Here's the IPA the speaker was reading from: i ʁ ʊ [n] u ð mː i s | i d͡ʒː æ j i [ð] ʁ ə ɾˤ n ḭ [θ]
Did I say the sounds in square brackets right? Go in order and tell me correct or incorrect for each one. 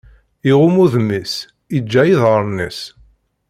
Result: incorrect: m, correct, incorrect: s

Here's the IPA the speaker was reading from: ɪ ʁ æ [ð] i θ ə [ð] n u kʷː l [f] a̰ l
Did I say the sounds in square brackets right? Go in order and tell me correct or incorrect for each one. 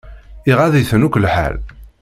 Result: correct, incorrect: none, incorrect: ħ

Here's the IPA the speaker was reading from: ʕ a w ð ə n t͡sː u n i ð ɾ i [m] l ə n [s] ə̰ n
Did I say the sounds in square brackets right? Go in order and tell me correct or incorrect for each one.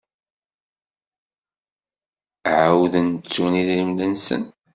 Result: correct, correct

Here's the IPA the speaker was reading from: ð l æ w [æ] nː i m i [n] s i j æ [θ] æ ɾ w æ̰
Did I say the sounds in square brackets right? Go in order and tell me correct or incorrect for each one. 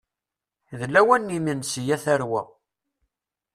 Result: correct, correct, correct

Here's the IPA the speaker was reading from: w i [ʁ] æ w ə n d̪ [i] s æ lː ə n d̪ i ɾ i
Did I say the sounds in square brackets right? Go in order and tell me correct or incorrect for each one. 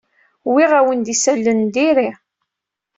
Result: correct, correct

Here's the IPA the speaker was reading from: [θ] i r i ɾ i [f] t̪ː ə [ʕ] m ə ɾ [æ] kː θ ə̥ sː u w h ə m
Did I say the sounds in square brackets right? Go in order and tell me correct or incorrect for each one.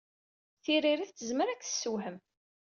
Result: correct, incorrect: θ, incorrect: z, correct

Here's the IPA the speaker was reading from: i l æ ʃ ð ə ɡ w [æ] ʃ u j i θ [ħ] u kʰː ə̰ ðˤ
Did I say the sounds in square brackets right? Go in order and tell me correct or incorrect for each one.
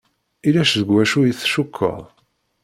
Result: correct, incorrect: ʃ

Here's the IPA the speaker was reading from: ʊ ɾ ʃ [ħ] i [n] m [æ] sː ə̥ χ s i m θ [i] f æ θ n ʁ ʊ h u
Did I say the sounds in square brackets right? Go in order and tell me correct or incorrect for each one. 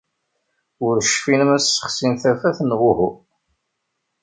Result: incorrect: f, correct, correct, incorrect: æ

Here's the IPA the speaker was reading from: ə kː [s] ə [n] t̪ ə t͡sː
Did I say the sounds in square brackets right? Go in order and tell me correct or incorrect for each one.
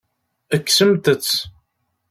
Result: correct, incorrect: m

